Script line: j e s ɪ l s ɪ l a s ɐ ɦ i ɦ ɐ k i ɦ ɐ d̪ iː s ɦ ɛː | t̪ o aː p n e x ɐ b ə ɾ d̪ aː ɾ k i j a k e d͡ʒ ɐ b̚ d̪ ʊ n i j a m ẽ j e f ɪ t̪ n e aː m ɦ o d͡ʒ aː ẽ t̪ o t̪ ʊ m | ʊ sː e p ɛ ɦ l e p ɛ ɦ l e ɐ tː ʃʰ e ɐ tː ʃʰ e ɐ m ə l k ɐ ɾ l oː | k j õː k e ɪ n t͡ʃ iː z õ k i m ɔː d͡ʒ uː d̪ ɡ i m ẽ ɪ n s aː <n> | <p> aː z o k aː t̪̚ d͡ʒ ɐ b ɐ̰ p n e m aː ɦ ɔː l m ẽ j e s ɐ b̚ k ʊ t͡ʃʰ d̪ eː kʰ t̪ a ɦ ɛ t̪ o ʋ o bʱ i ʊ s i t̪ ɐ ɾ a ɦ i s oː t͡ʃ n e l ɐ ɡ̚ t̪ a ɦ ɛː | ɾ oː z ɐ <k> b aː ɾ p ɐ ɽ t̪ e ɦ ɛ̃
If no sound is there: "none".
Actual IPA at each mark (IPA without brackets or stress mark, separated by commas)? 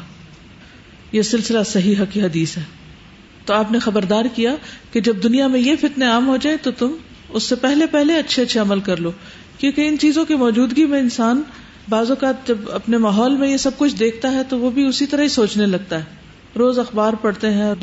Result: n, b, x